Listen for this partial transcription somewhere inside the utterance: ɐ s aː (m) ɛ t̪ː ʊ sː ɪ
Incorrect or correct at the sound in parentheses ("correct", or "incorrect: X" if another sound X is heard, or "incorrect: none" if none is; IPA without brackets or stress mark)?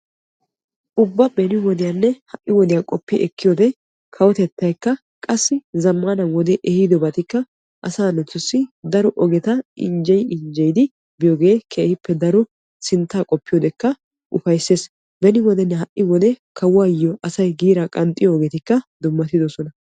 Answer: incorrect: n